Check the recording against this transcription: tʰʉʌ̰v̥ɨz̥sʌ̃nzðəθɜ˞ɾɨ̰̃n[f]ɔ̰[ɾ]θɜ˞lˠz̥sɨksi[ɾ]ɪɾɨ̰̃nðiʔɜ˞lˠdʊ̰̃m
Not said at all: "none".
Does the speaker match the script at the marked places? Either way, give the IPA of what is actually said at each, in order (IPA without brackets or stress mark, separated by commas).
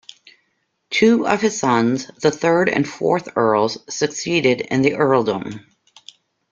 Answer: f, ɹ, ɾ